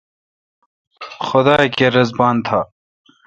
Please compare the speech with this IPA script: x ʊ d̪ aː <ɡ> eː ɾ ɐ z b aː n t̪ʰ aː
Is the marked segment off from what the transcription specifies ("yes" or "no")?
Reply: yes